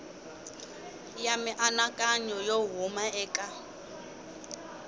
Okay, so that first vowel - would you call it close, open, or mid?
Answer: open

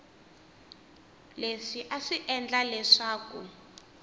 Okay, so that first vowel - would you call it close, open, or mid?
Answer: mid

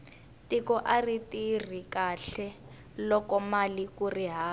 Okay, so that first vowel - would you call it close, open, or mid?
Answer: close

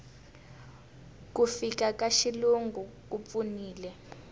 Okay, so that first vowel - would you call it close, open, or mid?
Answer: close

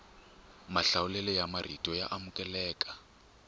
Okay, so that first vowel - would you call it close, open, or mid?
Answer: open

